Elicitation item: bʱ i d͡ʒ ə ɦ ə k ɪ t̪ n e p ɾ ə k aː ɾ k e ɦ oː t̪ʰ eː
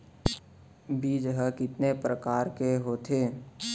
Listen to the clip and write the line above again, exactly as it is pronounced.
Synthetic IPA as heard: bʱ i d͡ʒ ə ɦ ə k ɪ t̪ n e p ɾ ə k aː ɾ k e ɦ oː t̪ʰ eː